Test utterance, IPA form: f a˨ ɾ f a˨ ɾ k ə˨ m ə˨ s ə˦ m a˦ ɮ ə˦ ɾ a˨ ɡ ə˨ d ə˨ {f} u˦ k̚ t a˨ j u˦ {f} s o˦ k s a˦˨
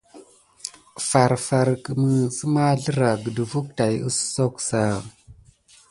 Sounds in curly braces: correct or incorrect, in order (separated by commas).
incorrect, incorrect